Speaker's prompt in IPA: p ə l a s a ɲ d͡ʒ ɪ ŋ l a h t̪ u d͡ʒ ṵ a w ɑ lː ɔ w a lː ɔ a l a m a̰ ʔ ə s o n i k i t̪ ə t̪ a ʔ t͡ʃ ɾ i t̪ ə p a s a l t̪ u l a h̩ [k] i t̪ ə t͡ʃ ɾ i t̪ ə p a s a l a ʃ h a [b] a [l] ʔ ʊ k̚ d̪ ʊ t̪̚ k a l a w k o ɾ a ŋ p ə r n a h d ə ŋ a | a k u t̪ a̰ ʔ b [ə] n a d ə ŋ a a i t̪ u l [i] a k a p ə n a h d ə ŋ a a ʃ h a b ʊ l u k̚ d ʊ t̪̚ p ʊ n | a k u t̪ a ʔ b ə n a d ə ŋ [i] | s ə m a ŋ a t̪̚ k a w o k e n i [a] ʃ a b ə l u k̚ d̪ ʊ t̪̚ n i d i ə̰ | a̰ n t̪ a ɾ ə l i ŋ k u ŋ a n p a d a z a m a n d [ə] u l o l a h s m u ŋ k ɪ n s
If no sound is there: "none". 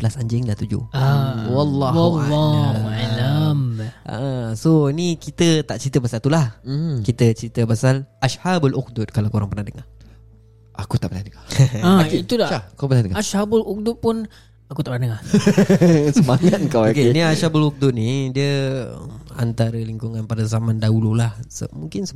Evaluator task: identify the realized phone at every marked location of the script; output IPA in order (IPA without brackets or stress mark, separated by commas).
k, b, l, ə, a, a, a, a